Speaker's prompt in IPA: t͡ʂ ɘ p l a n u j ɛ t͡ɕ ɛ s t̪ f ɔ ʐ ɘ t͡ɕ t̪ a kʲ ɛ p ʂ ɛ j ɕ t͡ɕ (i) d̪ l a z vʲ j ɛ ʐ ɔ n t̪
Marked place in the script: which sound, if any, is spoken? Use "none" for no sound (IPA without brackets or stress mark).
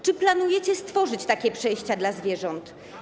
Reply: a